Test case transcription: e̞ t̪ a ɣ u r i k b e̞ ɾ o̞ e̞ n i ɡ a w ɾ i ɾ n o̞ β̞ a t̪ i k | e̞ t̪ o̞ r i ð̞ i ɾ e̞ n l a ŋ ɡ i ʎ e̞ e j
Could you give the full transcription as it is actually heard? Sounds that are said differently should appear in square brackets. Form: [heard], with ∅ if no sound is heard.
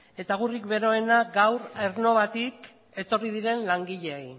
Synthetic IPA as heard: e̞ t̪ a ɣ u r i k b e̞ ɾ o̞ e̞ n [a] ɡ a w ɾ [e] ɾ n o̞ β̞ a t̪ i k | e̞ t̪ o̞ r i ð̞ i ɾ e̞ n l a ŋ ɡ i ʎ e̞ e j